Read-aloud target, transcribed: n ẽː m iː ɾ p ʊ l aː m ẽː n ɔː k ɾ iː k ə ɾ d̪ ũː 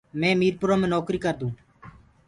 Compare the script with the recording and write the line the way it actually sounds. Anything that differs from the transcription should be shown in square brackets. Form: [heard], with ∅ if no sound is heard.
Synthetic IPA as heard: [m] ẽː m iː ɾ p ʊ [ɾ] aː m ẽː n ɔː k ɾ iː k ə ɾ d̪ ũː

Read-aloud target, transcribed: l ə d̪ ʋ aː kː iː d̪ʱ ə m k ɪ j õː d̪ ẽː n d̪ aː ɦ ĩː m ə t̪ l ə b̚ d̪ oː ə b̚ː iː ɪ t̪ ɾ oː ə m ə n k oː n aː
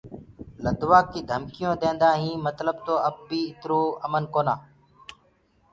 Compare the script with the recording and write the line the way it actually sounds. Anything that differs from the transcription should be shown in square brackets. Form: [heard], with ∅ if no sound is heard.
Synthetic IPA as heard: l ə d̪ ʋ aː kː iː d̪ʱ ə m k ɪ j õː d̪ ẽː n d̪ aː ɦ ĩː m ə t̪ l ə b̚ [t̪] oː ə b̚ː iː ɪ t̪ ɾ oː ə m ə n k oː n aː

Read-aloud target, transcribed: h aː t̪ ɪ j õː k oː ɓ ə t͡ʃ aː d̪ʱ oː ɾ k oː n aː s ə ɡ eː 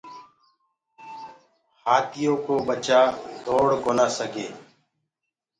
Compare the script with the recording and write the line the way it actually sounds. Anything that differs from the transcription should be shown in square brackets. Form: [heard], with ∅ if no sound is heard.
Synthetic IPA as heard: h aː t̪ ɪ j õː k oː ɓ ə t͡ʃ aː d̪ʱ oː [ɽ] k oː n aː s ə ɡ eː

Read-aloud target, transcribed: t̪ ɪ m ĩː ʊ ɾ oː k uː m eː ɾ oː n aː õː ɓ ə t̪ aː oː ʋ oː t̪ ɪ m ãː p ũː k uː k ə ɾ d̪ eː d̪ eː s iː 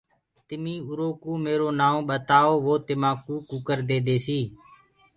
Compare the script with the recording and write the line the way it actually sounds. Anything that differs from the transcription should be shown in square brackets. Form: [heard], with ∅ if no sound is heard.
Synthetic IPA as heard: t̪ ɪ m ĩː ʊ ɾ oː k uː m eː ɾ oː n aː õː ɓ ə t̪ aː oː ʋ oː t̪ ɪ m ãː [k] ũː k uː k ə ɾ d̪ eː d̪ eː s iː

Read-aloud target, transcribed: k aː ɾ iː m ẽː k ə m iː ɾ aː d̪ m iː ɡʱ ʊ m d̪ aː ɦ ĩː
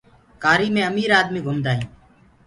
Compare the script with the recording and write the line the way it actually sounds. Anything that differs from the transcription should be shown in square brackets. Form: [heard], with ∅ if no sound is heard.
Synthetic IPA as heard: k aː ɾ iː m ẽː [∅] ə m iː ɾ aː d̪ m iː ɡʱ ʊ m d̪ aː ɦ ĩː

